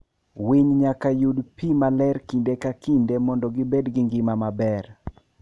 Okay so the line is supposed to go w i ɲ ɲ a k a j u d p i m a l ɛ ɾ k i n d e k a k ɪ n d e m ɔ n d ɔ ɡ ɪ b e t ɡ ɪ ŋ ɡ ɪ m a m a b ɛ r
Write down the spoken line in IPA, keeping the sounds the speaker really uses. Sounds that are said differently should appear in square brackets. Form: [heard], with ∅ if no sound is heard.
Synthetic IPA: w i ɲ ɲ a k a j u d p i m a l ɛ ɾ k i n d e k a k [i] n d e m ɔ n d ɔ ɡ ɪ b e [d] ɡ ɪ ŋ ɡ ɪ m a m a b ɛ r